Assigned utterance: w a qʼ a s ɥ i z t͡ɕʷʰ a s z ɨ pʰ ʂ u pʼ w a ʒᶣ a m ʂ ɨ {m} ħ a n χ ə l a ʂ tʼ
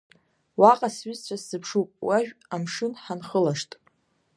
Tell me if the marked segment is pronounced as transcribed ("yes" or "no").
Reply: no